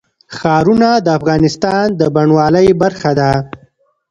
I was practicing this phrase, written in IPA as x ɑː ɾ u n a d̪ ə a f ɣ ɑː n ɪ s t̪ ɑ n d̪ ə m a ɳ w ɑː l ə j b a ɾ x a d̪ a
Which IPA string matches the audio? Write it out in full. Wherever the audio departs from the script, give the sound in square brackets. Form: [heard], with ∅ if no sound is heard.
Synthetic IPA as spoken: x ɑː ɾ u n a d̪ ə a f ɣ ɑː n ɪ s t̪ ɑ n d̪ ə [b] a ɳ w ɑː l ə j b a ɾ x a d̪ a